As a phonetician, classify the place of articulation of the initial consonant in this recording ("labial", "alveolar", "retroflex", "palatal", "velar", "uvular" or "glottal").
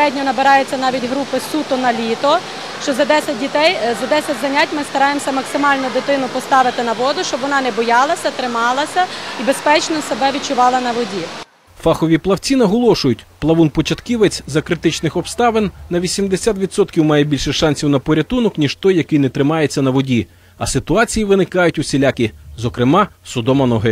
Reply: alveolar